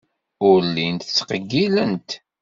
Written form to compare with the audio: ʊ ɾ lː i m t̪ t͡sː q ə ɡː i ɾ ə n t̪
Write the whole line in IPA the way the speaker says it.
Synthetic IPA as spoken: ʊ ɾ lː i n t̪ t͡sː q ə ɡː i l ə n t̪